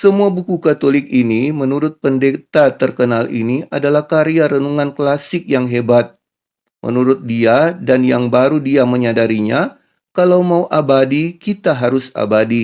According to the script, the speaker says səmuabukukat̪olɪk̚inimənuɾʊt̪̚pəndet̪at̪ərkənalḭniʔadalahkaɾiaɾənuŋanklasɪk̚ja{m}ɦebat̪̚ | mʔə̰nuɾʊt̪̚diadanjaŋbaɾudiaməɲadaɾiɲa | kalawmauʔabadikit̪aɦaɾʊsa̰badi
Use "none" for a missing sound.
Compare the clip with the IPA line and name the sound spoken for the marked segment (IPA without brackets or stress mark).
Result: ŋ